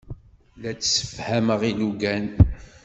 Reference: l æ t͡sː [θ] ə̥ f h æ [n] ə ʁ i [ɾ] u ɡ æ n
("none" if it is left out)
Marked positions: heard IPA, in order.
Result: s, m, l

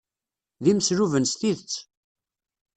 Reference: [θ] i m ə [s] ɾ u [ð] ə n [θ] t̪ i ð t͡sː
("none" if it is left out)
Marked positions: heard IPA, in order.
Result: ð, s, v, s

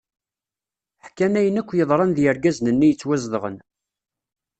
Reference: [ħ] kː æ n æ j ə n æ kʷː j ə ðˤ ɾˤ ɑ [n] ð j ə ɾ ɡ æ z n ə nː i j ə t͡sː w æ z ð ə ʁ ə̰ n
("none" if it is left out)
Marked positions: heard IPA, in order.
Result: ħ, n

